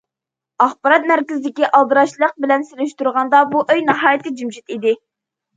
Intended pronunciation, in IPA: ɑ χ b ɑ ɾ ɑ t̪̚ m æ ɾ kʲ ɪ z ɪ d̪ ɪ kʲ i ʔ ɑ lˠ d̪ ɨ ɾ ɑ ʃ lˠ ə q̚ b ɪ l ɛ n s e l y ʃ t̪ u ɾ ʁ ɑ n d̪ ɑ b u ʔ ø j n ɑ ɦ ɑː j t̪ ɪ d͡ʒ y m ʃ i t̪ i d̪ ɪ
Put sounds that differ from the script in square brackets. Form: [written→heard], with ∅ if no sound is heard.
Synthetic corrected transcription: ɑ χ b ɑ ɾ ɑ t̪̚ m æ ɾ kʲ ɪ z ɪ d̪ ɪ kʲ i ʔ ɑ lˠ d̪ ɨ ɾ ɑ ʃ lˠ ə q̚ b ɪ l ɛ n s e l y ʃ t̪ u ɾ ʁ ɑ n d̪ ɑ b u ʔ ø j n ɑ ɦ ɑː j t̪ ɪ d͡ʒ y m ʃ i t̪ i d̪ ɪ